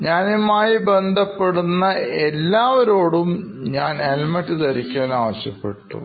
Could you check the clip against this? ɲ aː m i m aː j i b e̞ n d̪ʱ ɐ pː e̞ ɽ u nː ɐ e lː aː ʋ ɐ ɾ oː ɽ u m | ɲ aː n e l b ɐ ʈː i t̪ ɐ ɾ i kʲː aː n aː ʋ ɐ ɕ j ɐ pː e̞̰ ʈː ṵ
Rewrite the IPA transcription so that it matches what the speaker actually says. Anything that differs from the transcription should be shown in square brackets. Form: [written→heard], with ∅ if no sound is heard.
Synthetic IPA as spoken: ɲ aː [m→n] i m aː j i b e̞ n d̪ʱ ɐ pː e̞ ɽ u nː ɐ e lː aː ʋ ɐ ɾ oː ɽ u m | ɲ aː n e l [b→m] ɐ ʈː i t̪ ɐ ɾ i kʲː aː n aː ʋ ɐ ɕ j ɐ pː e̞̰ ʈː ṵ